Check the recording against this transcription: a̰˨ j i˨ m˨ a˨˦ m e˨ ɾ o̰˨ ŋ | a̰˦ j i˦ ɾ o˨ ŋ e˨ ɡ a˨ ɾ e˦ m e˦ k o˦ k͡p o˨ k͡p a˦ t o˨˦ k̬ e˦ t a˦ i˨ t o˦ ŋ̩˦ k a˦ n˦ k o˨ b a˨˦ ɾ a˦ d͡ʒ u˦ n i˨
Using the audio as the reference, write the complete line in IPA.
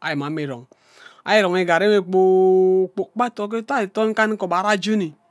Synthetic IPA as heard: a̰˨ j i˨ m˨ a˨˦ m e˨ ɾ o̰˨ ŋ | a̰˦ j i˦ ɾ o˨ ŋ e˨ ɡ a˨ ɾ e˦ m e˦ k͡p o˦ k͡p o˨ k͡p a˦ t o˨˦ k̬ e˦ t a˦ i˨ t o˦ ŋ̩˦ k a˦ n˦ k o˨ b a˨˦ ɾ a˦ d͡ʒ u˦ n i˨